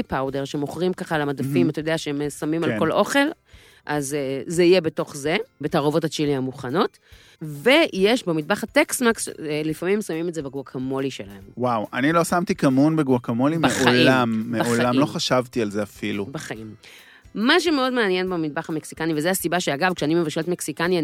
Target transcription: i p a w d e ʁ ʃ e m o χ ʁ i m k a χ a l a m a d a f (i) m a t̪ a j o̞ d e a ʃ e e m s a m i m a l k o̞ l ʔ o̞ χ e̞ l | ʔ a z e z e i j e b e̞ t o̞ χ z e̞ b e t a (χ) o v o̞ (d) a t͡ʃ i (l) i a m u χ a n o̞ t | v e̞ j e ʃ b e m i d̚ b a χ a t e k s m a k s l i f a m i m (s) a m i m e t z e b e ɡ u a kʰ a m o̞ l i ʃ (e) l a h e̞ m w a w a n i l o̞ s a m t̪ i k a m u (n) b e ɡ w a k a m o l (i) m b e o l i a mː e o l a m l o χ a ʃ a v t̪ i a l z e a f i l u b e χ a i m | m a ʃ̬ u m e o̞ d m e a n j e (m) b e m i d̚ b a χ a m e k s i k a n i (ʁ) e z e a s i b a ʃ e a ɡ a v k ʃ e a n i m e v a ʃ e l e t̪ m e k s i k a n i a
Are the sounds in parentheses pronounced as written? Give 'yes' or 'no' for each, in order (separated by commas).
yes, no, no, yes, yes, yes, yes, yes, no, no